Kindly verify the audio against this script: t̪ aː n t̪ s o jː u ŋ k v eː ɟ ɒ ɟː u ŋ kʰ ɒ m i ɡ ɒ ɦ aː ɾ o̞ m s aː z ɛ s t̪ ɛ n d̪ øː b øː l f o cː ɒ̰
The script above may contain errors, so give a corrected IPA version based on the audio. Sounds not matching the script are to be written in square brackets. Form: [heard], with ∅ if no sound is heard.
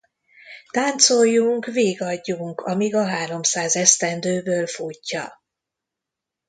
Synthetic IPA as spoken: t̪ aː n t̪ s o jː u ŋ k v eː [ɡ] ɒ ɟː u ŋ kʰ ɒ m i ɡ ɒ ɦ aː ɾ o̞ m s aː z ɛ s t̪ ɛ n d̪ øː b øː l f [u] cː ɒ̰